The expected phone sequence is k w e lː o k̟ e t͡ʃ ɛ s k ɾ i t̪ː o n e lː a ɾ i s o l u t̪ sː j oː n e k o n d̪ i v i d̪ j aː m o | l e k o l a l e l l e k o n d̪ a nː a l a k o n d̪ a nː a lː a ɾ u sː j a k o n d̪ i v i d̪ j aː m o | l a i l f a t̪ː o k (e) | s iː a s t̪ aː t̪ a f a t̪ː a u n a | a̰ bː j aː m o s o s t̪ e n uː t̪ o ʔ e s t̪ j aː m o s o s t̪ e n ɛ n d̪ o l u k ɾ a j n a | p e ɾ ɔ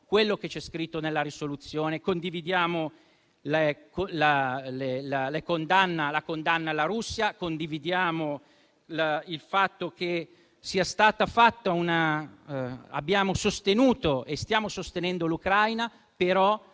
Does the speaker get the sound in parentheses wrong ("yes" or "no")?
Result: no